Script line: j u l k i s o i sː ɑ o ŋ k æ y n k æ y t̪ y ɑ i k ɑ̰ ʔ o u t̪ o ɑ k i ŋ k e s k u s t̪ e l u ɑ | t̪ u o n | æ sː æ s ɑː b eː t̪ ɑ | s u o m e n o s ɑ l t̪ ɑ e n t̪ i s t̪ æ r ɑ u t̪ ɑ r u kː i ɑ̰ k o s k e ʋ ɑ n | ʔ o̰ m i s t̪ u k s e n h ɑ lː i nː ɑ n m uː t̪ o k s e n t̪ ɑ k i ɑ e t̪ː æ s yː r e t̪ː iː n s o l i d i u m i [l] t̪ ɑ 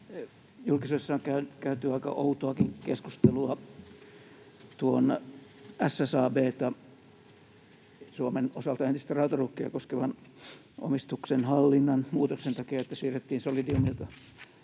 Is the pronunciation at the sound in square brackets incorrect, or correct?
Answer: correct